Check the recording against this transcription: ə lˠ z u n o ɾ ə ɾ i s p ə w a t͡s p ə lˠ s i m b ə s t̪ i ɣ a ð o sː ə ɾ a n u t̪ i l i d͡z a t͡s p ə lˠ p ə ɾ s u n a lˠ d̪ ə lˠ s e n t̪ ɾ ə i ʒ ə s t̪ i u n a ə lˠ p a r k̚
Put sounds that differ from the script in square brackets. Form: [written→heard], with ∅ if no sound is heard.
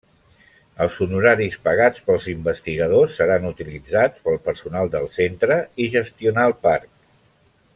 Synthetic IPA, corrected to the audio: ə lˠ z u n [o→u] ɾ [ə→a] ɾ i s p ə [w→ɣ] a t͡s p ə lˠ [s→z] i m b ə s t̪ i ɣ [a→ə] ð o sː ə ɾ a n u t̪ i l i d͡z a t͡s p ə lˠ p ə ɾ s u n a lˠ d̪ ə lˠ s e n t̪ ɾ ə i ʒ ə s t̪ i u n a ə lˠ p a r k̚